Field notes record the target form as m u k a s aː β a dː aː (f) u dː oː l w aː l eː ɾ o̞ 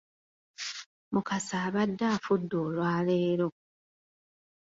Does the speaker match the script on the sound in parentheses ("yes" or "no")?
yes